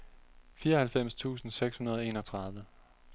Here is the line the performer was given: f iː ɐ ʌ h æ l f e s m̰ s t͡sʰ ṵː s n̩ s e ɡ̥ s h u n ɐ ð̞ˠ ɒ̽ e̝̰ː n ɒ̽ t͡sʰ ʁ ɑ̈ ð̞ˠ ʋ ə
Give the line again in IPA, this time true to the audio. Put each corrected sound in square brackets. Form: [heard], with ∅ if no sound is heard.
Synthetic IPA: f iː ɐ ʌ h æ l f e [∅] m̰ s t͡sʰ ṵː s n̩ s e ɡ̥ s h u n ɐ ð̞ˠ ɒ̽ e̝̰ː n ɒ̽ t͡sʰ ʁ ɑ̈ ð̞ˠ ʋ ə

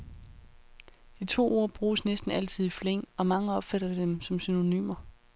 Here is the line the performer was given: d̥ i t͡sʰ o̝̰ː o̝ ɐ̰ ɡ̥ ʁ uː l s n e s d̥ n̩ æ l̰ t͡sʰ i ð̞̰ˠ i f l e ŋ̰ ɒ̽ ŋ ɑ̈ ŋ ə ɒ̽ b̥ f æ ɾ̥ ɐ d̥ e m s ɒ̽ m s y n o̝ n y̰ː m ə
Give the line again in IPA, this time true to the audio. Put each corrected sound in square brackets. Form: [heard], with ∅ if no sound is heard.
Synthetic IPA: d̥ i t͡sʰ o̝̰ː o̝ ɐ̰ [b̥] ʁ uː [∅] s n e s d̥ n̩ æ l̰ t͡sʰ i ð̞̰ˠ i f l e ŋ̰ ɒ̽ [m] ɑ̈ ŋ ə ɒ̽ b̥ f æ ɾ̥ ɐ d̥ e m s ɒ̽ m s y n o̝ n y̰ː m [ɐ]

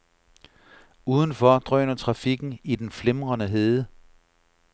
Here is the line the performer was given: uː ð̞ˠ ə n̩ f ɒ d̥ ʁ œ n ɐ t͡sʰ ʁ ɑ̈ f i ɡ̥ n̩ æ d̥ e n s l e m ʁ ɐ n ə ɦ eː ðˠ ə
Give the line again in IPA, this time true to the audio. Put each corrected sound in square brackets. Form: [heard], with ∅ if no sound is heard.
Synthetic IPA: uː ð̞ˠ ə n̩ f ɒ d̥ ʁ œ n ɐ t͡sʰ ʁ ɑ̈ f i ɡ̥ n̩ [i] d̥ e n [f] l e m ʁ ɐ n ə ɦ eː ðˠ ə

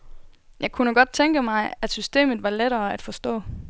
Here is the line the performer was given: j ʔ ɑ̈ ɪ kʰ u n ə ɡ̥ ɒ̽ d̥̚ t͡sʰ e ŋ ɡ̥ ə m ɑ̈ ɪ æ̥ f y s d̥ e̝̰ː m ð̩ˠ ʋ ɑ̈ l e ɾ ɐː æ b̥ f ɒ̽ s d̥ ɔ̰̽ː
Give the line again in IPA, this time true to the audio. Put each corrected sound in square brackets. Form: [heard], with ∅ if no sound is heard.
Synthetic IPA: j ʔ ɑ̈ ɪ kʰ u n ə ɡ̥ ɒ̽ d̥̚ t͡sʰ e ŋ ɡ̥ ə m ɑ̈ ɪ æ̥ [s] y s d̥ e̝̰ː m ð̩ˠ ʋ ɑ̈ l e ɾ ɐː æ [d̥] f ɒ̽ s d̥ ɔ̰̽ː

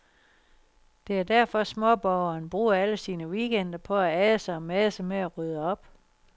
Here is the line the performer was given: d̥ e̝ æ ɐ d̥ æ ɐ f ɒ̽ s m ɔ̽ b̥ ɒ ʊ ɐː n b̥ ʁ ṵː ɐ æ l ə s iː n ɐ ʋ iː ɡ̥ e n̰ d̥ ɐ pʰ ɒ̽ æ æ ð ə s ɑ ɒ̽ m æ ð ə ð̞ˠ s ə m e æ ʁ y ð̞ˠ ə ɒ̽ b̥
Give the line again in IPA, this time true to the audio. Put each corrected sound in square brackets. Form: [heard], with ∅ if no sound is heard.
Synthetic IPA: d̥ e̝ æ ɐ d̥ æ ɐ f ɒ̽ s m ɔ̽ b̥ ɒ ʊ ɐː n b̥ ʁ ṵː ɐ æ l ə s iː n [ə] ʋ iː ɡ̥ e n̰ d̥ ɐ pʰ ɒ̽ æ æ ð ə s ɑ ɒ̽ m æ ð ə [∅] s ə m e æ ʁ y ð̞ˠ ə ɒ̽ b̥

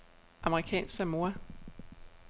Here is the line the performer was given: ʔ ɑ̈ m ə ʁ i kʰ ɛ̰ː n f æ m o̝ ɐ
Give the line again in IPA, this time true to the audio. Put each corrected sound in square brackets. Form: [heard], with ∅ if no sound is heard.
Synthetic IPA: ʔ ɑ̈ m ə ʁ i kʰ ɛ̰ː n [s] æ m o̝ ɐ

